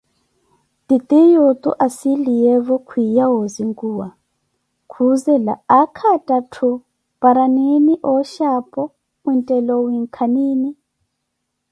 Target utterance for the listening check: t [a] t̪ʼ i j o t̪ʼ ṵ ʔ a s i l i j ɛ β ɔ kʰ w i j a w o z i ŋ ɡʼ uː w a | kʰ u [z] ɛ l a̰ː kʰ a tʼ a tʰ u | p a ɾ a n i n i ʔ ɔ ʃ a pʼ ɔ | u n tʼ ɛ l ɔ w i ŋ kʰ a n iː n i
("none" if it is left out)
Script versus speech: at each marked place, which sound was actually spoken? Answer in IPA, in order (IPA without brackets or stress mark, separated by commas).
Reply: i, z